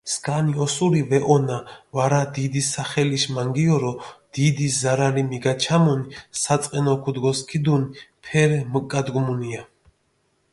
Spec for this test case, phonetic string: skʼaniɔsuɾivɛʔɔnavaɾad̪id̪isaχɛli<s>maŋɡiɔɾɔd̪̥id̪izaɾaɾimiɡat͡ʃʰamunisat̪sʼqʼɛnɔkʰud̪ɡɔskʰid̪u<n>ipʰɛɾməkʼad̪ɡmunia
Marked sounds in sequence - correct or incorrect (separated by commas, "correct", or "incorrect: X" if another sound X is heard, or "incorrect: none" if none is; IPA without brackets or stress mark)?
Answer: incorrect: ʃ, correct